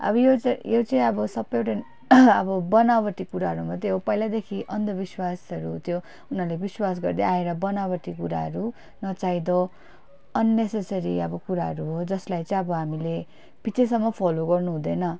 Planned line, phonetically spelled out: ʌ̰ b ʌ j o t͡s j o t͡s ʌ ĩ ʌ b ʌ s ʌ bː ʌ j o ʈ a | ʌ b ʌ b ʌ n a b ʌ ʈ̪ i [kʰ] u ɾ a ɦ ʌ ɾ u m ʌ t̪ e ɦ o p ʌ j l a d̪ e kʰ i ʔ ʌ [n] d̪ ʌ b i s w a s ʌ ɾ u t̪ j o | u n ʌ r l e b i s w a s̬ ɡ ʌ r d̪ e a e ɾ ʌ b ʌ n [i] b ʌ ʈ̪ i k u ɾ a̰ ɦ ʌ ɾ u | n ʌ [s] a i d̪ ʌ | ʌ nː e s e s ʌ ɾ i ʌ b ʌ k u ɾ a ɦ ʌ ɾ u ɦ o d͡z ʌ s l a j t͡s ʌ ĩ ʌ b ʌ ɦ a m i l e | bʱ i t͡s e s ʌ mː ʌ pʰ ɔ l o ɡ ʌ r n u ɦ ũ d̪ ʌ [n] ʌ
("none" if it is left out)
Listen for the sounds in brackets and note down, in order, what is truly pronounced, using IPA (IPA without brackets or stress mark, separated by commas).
k, n, a, t͡s, n